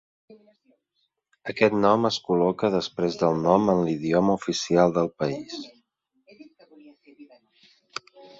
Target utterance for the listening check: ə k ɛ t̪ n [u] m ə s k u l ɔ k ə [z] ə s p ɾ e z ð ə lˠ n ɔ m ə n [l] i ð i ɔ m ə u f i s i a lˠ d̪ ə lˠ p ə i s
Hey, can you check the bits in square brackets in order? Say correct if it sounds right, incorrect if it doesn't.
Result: incorrect, incorrect, correct

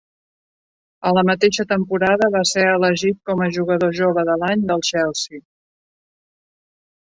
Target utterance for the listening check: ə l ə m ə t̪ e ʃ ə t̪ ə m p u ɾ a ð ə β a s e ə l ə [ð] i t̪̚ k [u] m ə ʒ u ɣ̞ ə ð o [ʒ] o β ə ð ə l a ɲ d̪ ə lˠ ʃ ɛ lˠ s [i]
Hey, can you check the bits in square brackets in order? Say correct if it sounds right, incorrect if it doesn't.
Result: incorrect, incorrect, correct, correct

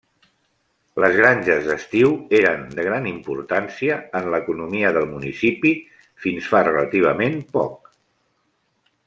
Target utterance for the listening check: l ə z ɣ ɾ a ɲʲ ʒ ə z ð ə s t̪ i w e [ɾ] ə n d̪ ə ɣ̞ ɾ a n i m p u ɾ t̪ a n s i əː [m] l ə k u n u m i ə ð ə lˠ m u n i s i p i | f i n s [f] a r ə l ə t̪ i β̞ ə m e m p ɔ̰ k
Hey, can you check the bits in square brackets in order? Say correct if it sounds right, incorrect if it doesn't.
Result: correct, incorrect, correct

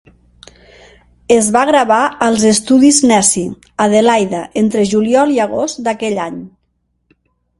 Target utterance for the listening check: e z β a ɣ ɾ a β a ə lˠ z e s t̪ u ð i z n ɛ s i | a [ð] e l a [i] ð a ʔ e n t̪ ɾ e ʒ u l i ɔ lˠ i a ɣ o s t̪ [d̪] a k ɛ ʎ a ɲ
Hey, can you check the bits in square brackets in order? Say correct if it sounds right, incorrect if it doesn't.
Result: correct, incorrect, correct

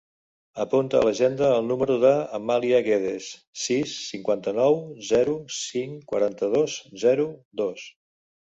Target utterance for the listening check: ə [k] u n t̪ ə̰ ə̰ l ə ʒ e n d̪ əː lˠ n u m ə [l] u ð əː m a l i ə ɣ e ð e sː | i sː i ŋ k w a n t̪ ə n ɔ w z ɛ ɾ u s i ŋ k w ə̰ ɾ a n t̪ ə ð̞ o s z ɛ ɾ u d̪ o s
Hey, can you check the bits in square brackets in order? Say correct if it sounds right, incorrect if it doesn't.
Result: incorrect, incorrect

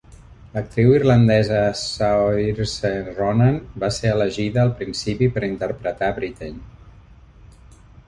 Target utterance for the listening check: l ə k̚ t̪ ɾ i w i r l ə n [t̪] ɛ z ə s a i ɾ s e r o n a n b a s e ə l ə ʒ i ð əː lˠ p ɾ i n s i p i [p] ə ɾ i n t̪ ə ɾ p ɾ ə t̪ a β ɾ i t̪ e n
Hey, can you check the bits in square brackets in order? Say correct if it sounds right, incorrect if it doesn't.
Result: incorrect, correct

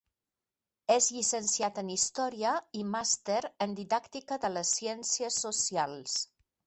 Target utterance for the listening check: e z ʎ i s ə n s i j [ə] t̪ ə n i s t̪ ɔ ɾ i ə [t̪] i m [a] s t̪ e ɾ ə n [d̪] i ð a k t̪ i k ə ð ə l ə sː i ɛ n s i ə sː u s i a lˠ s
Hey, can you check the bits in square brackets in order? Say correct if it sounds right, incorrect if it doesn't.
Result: incorrect, incorrect, correct, correct

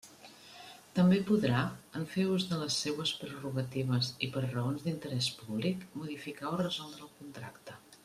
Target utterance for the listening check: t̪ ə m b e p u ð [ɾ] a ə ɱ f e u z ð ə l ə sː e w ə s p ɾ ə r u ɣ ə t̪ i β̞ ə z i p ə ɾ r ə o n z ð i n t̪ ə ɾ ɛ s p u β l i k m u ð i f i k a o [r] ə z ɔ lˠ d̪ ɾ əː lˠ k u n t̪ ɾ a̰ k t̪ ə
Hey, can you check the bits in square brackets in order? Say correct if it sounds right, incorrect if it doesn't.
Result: correct, correct

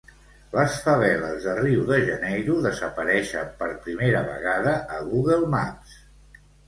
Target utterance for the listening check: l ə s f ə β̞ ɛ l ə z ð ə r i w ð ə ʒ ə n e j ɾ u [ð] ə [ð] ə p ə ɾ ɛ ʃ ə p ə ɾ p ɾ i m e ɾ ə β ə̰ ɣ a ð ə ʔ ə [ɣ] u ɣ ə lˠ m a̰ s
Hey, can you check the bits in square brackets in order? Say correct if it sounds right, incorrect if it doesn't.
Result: correct, incorrect, correct

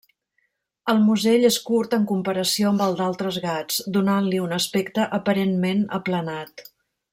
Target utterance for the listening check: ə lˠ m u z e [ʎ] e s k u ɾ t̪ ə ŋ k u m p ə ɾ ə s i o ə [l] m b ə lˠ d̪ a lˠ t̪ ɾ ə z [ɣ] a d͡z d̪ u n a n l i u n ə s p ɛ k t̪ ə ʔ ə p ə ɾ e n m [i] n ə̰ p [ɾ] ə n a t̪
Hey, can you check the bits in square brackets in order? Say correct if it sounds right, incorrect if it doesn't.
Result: correct, incorrect, correct, incorrect, incorrect

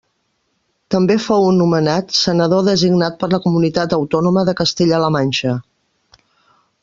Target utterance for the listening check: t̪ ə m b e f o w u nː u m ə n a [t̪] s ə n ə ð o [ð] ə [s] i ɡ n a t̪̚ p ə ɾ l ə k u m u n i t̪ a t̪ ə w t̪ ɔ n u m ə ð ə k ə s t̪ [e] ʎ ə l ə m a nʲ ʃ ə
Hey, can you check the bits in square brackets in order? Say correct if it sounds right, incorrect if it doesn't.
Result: correct, correct, incorrect, correct

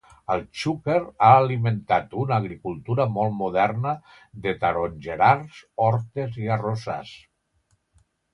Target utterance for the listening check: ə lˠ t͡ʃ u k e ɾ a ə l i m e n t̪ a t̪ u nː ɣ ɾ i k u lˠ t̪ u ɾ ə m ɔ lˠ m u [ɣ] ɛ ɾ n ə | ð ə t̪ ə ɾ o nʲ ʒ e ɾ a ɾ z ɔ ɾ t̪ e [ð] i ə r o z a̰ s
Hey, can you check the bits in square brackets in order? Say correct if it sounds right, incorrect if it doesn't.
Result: incorrect, incorrect

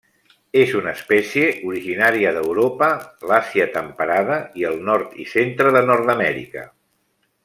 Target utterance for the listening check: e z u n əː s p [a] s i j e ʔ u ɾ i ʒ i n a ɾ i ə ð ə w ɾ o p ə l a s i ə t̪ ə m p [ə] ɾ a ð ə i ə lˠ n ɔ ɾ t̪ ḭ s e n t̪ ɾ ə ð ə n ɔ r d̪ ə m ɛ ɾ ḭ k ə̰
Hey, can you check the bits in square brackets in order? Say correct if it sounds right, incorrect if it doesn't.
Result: incorrect, correct

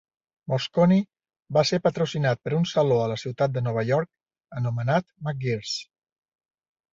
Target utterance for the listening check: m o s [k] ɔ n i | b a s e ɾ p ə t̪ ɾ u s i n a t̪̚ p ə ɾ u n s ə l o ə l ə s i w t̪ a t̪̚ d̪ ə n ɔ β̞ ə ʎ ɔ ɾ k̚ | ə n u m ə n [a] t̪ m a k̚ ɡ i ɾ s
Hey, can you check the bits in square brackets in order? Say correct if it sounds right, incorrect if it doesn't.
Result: correct, correct

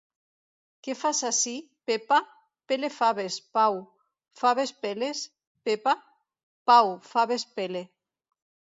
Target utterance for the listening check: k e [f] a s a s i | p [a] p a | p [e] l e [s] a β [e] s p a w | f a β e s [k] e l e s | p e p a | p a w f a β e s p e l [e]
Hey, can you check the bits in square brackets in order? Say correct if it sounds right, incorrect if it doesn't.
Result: correct, incorrect, correct, incorrect, correct, incorrect, correct

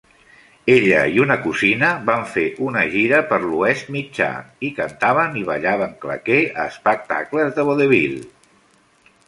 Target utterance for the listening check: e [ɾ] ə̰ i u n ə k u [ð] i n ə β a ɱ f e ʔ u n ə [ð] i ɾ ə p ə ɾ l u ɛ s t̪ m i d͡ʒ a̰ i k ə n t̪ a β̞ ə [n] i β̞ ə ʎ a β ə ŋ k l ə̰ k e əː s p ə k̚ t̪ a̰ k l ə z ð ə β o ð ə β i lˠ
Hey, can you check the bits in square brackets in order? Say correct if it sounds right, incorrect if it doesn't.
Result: incorrect, incorrect, incorrect, correct

